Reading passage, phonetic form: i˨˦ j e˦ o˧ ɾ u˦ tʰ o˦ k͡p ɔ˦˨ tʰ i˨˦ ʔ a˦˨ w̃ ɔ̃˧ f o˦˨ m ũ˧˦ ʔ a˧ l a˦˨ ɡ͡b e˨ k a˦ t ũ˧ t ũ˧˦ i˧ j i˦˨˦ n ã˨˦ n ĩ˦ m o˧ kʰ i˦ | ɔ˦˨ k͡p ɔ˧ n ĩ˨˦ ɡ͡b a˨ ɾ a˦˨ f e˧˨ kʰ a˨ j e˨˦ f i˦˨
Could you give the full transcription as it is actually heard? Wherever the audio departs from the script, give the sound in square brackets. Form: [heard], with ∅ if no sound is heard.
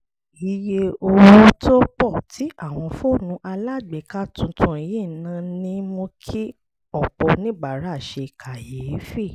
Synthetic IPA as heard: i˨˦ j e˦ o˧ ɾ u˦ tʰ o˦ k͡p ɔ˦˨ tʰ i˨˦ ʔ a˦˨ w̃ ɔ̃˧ f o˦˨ [n] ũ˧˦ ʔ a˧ l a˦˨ ɡ͡b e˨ k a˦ t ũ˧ t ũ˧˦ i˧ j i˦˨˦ n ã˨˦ n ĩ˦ m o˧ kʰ i˦ | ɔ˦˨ k͡p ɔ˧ n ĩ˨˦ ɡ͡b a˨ ɾ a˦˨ [ʃ] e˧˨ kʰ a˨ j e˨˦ f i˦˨